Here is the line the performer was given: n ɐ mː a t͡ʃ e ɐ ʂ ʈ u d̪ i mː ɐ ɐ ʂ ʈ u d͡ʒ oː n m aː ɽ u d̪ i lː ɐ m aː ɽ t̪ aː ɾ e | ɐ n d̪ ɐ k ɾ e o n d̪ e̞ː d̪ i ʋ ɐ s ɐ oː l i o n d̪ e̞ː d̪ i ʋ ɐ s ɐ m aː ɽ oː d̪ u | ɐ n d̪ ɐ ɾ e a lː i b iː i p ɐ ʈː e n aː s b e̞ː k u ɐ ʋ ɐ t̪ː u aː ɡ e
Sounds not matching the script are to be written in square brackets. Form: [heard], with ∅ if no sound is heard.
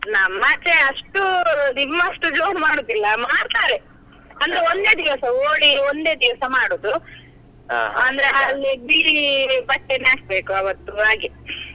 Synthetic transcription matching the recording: n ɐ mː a t͡ʃ e ɐ ʂ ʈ u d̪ i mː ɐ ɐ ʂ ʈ u d͡ʒ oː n m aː ɽ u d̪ i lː ɐ m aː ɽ t̪ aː ɾ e | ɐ n d̪ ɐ [∅] ɾ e o n d̪ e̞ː d̪ i ʋ ɐ s ɐ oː [ɽ] i o n d̪ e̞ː d̪ i ʋ ɐ s ɐ m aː ɽ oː d̪ u | ɐ n d̪ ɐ ɾ e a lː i b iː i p ɐ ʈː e n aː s b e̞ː k u ɐ ʋ ɐ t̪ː u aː ɡ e